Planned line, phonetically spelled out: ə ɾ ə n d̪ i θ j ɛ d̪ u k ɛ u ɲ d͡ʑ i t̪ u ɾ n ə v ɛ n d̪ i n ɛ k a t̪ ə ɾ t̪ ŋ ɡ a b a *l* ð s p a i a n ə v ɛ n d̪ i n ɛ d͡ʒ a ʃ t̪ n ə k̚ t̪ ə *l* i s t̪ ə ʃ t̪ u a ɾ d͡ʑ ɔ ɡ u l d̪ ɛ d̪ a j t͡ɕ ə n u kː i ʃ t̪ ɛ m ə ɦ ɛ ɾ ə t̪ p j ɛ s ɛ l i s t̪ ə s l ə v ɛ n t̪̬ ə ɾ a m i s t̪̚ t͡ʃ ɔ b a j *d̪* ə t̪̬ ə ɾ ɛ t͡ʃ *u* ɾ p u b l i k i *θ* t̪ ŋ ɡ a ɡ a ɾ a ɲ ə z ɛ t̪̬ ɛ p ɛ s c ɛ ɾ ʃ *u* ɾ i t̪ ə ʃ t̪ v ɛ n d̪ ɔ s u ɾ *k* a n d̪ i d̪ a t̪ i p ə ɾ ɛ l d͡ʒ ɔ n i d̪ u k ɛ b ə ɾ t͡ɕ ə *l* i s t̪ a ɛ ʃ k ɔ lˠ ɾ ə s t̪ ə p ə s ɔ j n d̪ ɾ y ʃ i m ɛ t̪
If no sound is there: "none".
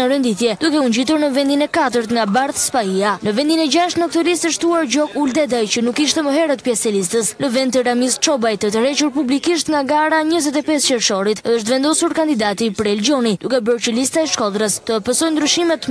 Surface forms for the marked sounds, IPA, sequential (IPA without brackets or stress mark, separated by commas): ɾ, l, t̪, u, ʃ, ɔ, k, l